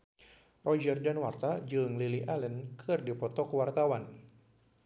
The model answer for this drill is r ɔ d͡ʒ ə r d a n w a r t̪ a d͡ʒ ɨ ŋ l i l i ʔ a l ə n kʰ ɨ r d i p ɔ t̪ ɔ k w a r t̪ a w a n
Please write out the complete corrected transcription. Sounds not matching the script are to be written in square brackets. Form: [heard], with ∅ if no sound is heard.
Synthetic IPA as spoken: r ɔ d͡ʒ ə r d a n w a r t̪ a d͡ʒ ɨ ŋ l i l i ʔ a l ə n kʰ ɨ r d i p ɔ t̪ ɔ k w a r t̪ a w a n